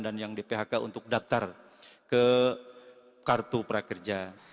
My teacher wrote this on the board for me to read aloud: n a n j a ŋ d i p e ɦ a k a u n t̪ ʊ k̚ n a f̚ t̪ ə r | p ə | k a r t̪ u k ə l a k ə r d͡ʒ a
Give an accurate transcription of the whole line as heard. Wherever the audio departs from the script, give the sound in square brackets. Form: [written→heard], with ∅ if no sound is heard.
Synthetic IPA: [n→d] a n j a ŋ d i p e ɦ a k a u n t̪ ʊ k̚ [n→d] a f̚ t̪ [ə→a] r | [p→k] ə | k a r t̪ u [k→p] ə [l→ɾ] a k ə r d͡ʒ a